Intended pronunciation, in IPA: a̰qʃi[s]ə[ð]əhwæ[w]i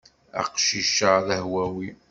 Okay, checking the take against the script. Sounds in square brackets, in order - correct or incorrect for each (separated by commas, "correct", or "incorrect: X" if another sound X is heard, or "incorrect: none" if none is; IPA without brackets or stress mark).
incorrect: ʃ, correct, correct